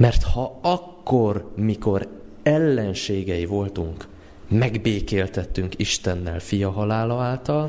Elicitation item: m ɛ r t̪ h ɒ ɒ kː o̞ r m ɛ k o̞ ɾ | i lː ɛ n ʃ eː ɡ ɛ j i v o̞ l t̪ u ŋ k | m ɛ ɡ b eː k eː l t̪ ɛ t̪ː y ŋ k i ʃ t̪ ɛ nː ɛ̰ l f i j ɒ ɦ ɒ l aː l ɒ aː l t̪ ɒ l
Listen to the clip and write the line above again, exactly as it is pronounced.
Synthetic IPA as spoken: m ɛ r t̪ h ɒ ɒ kː o̞ r m i k o̞ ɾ | ɛ lː ɛ n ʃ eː ɡ ɛ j i v o̞ l t̪ u ŋ k | m ɛ ɡ b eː k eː l t̪ ɛ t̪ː y ŋ k i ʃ t̪ ɛ nː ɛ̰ l f i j ɒ ɦ ɒ l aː l ɒ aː l t̪ ɒ l